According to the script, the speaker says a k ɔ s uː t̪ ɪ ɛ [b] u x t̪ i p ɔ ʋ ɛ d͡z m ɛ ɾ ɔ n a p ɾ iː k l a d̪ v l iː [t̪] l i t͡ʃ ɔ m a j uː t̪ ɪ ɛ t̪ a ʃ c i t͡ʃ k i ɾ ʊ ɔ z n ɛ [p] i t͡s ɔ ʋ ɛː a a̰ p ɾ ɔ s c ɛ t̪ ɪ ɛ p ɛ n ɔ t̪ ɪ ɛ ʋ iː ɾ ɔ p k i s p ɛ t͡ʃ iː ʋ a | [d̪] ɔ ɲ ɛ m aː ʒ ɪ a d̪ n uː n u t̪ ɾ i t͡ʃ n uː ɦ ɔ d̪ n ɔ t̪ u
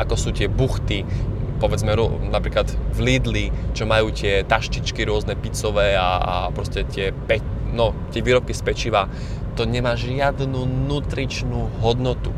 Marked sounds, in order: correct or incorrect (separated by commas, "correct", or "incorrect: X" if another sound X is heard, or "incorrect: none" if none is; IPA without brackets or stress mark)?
correct, incorrect: d̪, correct, incorrect: t̪